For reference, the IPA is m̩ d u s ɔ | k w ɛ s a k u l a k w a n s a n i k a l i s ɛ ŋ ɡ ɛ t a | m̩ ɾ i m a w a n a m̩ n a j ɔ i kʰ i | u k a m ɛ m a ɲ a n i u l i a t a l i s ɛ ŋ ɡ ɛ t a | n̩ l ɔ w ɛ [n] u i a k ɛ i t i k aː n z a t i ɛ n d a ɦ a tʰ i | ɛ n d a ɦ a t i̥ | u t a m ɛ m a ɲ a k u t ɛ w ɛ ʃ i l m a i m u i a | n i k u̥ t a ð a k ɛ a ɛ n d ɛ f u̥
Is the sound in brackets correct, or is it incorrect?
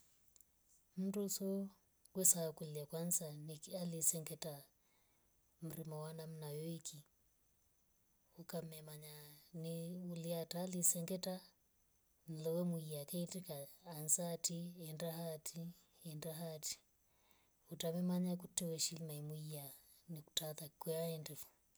incorrect